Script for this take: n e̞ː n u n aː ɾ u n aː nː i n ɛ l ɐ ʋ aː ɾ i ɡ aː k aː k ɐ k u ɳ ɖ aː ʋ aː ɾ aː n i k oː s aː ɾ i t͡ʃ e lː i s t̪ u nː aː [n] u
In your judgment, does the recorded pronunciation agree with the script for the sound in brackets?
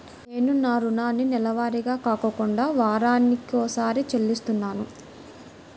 yes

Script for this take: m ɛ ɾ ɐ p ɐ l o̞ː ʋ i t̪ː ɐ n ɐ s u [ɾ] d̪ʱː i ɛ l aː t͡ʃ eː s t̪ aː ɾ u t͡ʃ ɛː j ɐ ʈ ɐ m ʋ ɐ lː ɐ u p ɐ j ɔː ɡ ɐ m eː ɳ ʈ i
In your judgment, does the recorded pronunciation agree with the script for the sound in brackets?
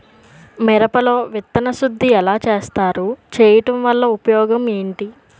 no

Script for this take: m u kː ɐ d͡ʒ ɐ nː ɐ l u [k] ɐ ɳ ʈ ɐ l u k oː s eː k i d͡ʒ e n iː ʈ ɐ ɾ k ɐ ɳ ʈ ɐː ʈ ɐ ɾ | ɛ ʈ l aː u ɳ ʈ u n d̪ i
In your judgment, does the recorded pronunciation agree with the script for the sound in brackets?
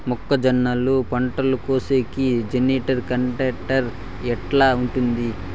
no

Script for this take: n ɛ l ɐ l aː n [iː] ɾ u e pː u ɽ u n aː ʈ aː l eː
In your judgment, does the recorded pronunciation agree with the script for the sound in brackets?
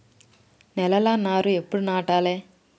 no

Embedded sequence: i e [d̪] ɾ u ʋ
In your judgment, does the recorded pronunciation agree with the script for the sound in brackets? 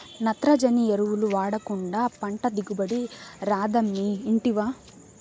no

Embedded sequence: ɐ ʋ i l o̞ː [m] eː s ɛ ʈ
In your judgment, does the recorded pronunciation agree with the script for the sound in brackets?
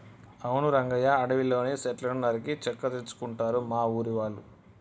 no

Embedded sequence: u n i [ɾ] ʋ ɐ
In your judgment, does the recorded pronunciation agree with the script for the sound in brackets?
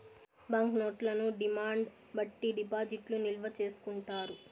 no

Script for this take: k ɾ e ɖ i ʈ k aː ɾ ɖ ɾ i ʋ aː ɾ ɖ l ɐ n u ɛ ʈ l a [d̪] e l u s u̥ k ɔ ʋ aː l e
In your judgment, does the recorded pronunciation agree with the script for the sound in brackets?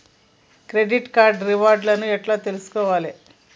no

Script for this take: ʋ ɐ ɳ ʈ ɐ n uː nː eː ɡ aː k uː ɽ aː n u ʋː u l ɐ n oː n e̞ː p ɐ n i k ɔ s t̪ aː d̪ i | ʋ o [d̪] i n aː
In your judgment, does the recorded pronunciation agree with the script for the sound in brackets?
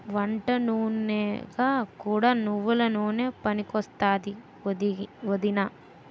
yes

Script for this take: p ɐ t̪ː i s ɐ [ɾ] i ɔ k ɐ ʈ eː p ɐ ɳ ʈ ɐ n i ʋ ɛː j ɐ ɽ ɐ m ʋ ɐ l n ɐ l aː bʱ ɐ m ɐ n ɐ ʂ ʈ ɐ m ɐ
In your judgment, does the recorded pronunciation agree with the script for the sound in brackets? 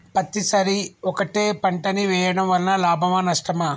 yes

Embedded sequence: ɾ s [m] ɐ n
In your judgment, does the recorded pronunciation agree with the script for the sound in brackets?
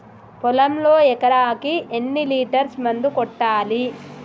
yes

